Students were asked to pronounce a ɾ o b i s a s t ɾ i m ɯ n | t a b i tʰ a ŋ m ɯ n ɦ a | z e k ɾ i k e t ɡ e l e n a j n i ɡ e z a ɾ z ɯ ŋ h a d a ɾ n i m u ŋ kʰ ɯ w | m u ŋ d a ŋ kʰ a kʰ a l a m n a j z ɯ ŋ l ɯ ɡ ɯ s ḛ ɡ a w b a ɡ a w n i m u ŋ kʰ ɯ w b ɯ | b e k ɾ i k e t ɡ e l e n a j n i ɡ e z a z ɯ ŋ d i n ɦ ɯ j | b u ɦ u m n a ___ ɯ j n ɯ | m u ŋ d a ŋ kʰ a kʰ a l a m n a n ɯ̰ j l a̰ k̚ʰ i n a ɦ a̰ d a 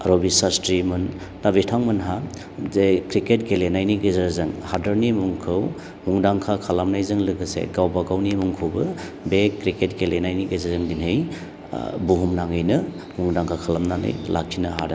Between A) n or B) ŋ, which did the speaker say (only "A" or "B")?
B